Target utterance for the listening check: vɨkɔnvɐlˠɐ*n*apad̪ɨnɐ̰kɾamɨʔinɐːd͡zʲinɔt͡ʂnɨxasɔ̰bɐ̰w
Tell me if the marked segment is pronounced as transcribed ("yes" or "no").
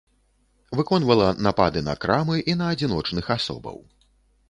yes